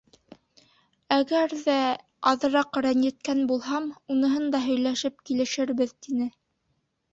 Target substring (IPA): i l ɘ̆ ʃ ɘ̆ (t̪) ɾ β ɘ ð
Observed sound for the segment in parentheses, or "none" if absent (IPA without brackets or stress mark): none